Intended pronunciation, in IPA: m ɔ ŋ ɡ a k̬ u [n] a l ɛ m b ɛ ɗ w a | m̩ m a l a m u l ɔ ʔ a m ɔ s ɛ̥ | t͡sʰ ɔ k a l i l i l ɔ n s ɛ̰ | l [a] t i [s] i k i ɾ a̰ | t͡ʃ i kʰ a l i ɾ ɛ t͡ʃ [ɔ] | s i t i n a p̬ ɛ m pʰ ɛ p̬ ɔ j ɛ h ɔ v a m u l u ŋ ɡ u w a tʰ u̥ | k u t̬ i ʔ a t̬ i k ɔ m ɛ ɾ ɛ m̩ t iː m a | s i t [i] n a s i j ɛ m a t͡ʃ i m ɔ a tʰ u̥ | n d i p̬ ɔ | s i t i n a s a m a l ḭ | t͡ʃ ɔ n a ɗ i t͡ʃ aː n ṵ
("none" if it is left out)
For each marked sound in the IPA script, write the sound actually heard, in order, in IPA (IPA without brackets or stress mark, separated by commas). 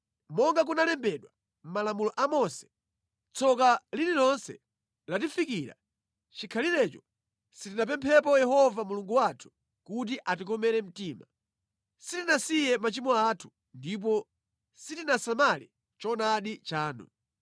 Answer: n, a, f, ɔ, i